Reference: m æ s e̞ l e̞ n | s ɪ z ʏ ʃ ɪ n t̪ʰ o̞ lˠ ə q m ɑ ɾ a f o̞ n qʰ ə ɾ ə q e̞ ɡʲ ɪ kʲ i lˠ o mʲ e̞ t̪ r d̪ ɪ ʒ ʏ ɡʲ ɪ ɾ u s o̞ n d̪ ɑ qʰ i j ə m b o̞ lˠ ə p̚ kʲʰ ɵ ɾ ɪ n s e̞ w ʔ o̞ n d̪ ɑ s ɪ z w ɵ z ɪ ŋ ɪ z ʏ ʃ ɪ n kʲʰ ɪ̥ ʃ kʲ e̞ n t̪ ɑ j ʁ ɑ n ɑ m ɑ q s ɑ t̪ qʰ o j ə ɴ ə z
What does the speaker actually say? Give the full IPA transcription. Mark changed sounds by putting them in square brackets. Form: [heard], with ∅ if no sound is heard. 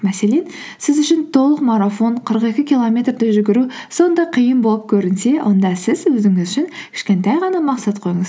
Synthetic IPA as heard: m æ s e̞ l e̞ n | s ɪ z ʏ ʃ ɪ n t̪ʰ o̞ lˠ ə q m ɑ ɾ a f o̞ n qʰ ə ɾ ə q e̞ [kʲ] ɪ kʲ i lˠ o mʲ e̞ t̪ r d̪ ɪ ʒ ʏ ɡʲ ɪ ɾ u s o̞ n d̪ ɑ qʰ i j ə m b o̞ lˠ ə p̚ kʲʰ ɵ ɾ ɪ n s e̞ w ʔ o̞ n d̪ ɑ s ɪ z w ɵ z ɪ ŋ ɪ z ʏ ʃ ɪ n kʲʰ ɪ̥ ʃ kʲ e̞ n t̪ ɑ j ʁ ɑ n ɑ m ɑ q s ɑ t̪ qʰ o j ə ɴ ə z